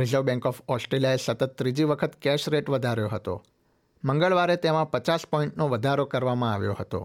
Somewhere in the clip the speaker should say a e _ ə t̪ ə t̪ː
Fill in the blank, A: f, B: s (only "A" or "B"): B